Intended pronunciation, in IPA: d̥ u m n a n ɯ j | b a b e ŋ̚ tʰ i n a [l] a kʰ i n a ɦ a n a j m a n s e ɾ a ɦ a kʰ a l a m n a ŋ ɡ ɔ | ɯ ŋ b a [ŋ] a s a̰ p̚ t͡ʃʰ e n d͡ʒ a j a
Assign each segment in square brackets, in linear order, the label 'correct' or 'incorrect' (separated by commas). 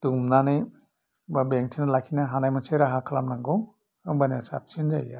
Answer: correct, incorrect